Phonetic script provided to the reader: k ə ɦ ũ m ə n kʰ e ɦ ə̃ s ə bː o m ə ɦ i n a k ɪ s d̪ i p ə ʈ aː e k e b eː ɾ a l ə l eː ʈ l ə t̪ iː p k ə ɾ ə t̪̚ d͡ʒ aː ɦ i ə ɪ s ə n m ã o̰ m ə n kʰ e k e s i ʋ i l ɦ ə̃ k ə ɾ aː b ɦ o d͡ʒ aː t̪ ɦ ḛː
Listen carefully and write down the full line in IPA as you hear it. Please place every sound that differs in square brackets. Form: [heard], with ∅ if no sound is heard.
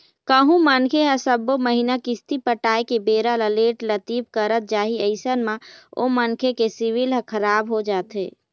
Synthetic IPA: k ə ɦ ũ m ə n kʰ e ɦ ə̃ s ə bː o m ə ɦ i n a k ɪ s [t̪] i p ə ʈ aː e k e b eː ɾ a l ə l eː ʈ l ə t̪ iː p k ə ɾ ə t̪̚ d͡ʒ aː ɦ i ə ɪ s ə n m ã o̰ m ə n kʰ e k e s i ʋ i l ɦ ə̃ [kʰ] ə ɾ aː b ɦ o d͡ʒ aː t̪ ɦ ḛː